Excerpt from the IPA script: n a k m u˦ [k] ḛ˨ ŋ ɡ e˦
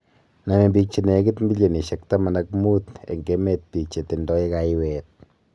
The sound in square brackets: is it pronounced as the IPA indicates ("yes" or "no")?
no